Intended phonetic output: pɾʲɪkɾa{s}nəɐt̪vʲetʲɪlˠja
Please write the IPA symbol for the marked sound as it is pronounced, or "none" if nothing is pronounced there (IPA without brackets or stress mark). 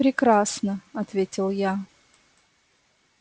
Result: s